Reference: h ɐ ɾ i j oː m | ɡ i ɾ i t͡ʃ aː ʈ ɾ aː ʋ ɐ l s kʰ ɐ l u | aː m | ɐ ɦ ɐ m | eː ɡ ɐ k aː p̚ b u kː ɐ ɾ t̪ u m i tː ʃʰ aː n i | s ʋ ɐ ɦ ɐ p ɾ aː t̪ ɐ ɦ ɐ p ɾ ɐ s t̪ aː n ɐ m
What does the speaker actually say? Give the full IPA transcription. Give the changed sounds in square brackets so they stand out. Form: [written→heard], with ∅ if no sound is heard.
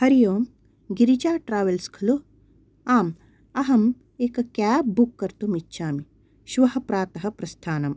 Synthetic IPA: h ɐ ɾ i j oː m | ɡ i ɾ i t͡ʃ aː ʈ ɾ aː ʋ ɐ l s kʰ ɐ l u | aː m | ɐ ɦ ɐ m | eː [ɡ→k] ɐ k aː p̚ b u kː ɐ ɾ t̪ u m i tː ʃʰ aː [n→m] i | [s→ʃ] ʋ ɐ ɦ ɐ p ɾ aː t̪ ɐ ɦ ɐ p ɾ ɐ s [t̪→t̪ʰ] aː n ɐ m